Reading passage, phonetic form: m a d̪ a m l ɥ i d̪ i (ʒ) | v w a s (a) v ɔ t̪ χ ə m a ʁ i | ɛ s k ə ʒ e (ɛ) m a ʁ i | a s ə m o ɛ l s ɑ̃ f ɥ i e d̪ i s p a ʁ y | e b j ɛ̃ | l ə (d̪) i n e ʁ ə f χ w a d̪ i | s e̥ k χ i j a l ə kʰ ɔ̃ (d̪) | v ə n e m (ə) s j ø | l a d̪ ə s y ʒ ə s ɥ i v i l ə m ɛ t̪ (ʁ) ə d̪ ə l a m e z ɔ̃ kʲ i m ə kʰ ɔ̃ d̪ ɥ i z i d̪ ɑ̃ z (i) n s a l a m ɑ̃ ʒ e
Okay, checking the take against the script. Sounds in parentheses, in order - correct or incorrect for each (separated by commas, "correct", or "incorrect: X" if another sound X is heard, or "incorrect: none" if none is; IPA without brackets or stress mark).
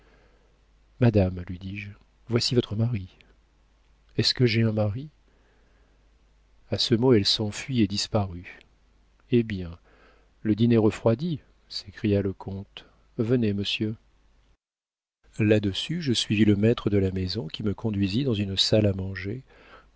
correct, incorrect: i, incorrect: ɛ̃, correct, incorrect: t̪, correct, incorrect: χ, incorrect: y